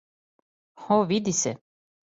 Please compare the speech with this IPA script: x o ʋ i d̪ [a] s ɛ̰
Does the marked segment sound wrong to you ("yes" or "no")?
yes